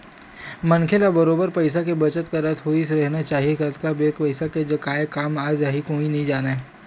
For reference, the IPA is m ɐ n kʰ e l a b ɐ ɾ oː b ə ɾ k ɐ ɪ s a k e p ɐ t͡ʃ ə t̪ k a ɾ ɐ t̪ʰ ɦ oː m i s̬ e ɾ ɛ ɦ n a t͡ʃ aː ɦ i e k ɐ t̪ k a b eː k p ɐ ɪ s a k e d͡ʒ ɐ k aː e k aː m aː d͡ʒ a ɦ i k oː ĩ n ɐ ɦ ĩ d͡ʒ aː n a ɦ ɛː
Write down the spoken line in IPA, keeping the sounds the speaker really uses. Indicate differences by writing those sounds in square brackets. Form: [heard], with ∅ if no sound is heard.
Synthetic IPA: m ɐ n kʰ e l a b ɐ ɾ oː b ə ɾ [p] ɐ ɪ s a k e [b] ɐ t͡ʃ ə t̪ k a ɾ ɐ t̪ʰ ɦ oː [∅] i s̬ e ɾ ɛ ɦ n a t͡ʃ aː ɦ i e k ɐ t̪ k a b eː k p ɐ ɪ s a k e d͡ʒ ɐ k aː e k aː m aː d͡ʒ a ɦ i k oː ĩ n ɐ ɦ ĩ d͡ʒ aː n a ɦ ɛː

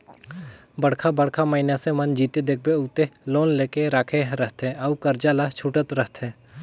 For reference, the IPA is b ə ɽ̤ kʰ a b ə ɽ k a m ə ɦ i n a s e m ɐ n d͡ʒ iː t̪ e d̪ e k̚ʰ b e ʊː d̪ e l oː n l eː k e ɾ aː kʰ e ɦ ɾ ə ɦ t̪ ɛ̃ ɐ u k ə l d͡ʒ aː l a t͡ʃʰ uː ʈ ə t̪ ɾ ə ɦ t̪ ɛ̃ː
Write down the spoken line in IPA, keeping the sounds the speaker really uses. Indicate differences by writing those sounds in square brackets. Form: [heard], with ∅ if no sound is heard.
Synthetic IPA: b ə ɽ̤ kʰ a b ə ɽ [kʰ] a m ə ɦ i n a s e m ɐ n d͡ʒ iː t̪ e d̪ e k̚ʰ b e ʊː [t̪] e l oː n l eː k e ɾ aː kʰ e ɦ ɾ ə ɦ t̪ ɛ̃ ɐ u k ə [ɾ] d͡ʒ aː l a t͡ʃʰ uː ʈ ə t̪ ɾ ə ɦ t̪ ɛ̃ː

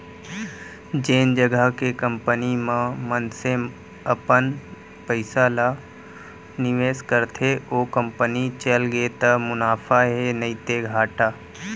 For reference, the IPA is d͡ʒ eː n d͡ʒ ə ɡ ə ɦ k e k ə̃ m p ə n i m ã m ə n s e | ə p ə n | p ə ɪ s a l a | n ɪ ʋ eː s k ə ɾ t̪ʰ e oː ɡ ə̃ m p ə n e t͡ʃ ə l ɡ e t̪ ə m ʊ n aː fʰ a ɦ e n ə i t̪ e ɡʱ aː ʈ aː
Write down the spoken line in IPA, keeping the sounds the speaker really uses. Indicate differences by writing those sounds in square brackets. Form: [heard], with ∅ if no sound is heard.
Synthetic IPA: d͡ʒ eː n d͡ʒ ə ɡ ə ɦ k e k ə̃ m p ə n i m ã m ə n s e | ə p ə n | p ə ɪ s a l a | n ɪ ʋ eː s k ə ɾ t̪ʰ e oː [k] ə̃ m p ə n [i] t͡ʃ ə l ɡ e t̪ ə m ʊ n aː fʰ a ɦ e n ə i t̪ e ɡʱ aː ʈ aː

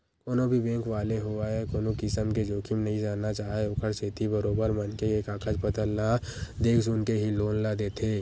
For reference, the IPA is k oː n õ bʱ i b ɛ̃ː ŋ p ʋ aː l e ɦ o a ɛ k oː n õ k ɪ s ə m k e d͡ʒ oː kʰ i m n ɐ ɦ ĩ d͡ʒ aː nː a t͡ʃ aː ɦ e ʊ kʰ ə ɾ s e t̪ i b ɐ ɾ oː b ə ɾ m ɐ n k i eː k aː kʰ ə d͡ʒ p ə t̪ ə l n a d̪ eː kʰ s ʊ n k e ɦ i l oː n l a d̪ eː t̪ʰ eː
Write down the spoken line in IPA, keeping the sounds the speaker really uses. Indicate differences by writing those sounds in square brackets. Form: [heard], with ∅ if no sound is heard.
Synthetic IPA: k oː n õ bʱ i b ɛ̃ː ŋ [k] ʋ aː l e ɦ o a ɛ k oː n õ k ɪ s ə m k e d͡ʒ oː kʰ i m n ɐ ɦ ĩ d͡ʒ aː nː a t͡ʃ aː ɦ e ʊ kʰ ə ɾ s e t̪ i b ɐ ɾ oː b ə ɾ m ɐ n k [e] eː k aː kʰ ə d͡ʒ p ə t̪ ə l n a d̪ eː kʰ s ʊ n k e ɦ i l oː n l a d̪ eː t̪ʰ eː

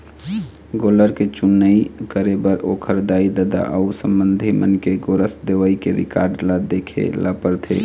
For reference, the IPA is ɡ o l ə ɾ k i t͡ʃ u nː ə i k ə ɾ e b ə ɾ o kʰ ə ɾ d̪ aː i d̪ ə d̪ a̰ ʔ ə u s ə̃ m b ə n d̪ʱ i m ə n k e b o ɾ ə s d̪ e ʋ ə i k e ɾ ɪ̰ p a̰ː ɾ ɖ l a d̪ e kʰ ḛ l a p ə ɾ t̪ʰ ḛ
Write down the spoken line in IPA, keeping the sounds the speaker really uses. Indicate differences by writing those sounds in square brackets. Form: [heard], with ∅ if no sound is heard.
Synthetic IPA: ɡ o l ə ɾ k [e] t͡ʃ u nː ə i k ə ɾ e b ə ɾ o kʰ ə ɾ d̪ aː i d̪ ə d̪ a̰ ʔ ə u s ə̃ m b ə n d̪ʱ i m ə n k e [ɡ] o ɾ ə s d̪ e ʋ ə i k e ɾ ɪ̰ [k] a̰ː ɾ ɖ l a d̪ e kʰ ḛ l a p ə ɾ t̪ʰ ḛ

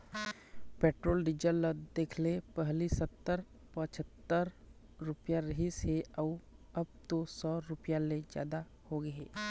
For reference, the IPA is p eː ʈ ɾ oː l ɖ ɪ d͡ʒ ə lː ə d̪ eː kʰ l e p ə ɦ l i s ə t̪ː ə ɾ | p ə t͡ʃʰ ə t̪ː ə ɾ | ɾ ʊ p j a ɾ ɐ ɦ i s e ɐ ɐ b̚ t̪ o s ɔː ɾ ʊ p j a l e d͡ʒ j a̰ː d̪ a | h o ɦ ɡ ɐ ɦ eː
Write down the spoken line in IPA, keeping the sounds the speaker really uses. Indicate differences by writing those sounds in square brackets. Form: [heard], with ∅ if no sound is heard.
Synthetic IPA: p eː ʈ ɾ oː l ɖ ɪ d͡ʒ ə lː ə d̪ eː kʰ l e p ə ɦ l i s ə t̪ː ə ɾ | p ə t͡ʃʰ ə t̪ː ə ɾ | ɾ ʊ p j a ɾ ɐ ɦ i s e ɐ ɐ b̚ t̪ o s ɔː ɾ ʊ p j a l e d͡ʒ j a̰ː d̪ a | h o [∅] ɡ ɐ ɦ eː

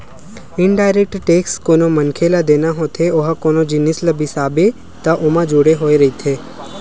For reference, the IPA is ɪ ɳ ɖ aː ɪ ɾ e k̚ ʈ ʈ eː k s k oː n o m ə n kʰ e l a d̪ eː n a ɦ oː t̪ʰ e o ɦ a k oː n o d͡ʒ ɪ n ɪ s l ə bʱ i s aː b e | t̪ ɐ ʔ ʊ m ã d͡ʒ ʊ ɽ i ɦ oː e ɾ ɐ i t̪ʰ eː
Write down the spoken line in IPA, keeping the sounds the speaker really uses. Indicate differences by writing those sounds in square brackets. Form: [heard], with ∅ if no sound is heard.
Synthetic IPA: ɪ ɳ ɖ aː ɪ ɾ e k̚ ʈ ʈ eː k s k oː n o m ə n kʰ e l a d̪ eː n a ɦ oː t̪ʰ e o ɦ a k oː n o d͡ʒ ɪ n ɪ s l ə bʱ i s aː b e | t̪ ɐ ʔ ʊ m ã d͡ʒ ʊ ɽ [e] ɦ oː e ɾ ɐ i t̪ʰ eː

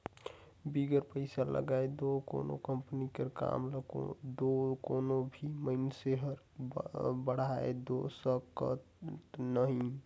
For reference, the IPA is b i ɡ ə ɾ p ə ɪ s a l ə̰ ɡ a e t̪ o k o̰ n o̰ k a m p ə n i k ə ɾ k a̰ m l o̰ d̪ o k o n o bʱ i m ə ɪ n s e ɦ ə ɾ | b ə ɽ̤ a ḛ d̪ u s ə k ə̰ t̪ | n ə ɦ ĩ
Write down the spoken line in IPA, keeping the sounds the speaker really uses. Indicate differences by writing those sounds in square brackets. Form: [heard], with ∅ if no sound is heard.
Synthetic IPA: b i ɡ ə ɾ p ə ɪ s a l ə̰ ɡ a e [d̪] o k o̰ n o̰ k [ə] m p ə n i k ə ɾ k a̰ m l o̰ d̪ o k o n o bʱ i m ə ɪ n s e ɦ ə ɾ | b ə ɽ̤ a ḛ d̪ [o] s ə k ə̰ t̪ | n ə ɦ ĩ

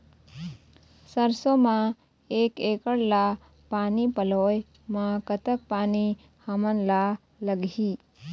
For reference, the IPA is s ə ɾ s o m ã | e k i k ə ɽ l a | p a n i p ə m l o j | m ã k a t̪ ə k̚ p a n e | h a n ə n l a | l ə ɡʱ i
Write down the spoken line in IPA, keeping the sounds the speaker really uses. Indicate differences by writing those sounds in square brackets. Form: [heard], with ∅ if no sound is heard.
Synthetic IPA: s ə ɾ s o m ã | e k [e] k ə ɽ l a | p a n i p ə [∅] l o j | m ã k [ə] t̪ ə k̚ p a n [i] | h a [m] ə n l a | l ə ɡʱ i

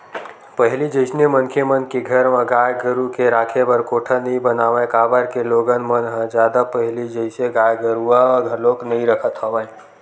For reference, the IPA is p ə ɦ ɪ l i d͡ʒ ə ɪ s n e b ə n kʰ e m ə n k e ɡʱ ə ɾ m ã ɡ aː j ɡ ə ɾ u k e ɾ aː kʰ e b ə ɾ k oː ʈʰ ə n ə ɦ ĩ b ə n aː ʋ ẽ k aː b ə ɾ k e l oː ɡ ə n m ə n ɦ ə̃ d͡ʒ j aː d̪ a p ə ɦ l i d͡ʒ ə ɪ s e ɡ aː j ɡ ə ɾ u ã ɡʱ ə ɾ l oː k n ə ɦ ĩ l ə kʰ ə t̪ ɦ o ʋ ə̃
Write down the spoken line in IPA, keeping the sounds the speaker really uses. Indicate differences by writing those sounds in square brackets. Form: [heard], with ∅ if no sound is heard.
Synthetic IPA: p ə ɦ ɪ l i d͡ʒ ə ɪ s n e [m] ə n kʰ e m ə n k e ɡʱ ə ɾ m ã ɡ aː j ɡ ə ɾ u k e ɾ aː kʰ e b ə ɾ k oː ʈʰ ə n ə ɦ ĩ b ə n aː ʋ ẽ k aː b ə ɾ k e l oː ɡ ə n m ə n ɦ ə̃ d͡ʒ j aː d̪ a p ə ɦ l i d͡ʒ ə ɪ s e ɡ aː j ɡ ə ɾ u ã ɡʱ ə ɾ l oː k n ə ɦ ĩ [ɾ] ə kʰ ə t̪ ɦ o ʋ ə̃

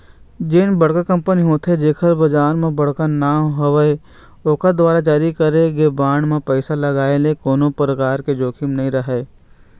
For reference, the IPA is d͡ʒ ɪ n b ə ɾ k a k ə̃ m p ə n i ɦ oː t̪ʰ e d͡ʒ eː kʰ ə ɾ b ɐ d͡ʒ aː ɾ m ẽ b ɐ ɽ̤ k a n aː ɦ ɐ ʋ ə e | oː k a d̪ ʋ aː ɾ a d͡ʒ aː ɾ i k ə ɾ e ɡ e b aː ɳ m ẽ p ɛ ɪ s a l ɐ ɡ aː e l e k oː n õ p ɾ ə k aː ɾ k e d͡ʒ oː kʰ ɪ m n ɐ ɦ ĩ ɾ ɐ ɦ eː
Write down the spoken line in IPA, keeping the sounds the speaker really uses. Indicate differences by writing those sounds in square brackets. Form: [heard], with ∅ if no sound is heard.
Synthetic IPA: d͡ʒ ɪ n b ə [ɽ] k a k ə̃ m p ə n i ɦ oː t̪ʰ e d͡ʒ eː kʰ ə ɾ b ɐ d͡ʒ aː ɾ m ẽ b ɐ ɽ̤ k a n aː ɦ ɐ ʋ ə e | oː k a d̪ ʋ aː ɾ a d͡ʒ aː ɾ i k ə ɾ e ɡ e b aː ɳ m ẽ p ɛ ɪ s a l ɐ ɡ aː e l e k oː n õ p ɾ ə k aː ɾ k e d͡ʒ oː kʰ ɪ m n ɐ ɦ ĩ ɾ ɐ ɦ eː

